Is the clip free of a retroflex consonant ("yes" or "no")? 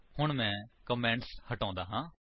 no